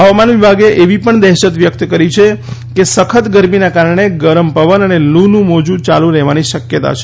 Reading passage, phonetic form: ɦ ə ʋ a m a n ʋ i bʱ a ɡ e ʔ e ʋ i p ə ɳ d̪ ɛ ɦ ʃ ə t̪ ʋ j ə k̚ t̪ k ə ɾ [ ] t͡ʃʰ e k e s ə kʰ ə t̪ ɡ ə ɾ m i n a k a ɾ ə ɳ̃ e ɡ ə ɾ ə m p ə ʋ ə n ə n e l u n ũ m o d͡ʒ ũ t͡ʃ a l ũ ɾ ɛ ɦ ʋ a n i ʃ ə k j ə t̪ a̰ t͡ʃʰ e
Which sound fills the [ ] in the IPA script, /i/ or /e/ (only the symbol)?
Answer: i